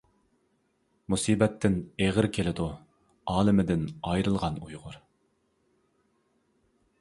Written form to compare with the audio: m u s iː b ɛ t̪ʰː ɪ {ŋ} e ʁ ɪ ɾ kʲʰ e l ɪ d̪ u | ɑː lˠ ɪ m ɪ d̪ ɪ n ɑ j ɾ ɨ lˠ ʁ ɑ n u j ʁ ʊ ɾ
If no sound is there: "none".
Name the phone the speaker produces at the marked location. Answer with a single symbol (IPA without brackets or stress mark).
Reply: n